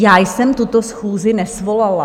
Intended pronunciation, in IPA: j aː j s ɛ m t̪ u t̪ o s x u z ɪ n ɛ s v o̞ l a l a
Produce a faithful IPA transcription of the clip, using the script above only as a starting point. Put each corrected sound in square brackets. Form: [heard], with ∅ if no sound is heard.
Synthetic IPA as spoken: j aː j s ɛ m t̪ u t̪ o s x [uː] z ɪ n ɛ s v o̞ l a l a